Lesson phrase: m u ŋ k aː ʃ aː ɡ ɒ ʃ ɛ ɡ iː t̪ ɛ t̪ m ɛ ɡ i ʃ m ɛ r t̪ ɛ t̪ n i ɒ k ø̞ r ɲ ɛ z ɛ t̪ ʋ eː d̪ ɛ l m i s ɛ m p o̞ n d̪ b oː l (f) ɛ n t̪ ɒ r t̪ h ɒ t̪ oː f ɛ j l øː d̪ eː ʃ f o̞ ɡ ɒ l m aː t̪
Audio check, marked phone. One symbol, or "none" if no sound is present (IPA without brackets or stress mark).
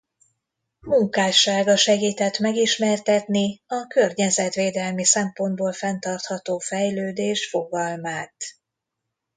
f